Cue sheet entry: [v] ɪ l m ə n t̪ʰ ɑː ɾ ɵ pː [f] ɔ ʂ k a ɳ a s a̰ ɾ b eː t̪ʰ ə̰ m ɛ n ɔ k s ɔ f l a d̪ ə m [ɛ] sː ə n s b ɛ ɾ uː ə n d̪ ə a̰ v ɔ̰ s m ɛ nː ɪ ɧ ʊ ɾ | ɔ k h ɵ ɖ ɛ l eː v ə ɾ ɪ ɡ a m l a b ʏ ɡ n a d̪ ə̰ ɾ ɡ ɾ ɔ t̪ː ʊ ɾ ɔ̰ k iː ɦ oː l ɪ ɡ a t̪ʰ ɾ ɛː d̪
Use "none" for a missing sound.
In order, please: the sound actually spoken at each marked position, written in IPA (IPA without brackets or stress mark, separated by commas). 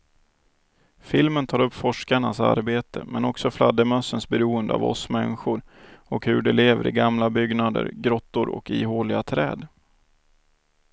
f, f, œ